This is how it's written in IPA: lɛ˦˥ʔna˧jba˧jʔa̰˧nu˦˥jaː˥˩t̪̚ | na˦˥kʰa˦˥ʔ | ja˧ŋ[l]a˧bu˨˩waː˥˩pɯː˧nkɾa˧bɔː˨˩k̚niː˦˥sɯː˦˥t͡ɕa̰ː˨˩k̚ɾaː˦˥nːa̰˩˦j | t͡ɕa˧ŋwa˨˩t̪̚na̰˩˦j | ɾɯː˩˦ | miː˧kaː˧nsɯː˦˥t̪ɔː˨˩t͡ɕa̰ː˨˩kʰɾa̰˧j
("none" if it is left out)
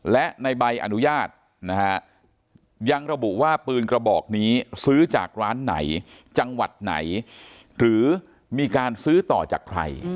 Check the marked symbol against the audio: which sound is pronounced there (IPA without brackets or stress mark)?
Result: ɾ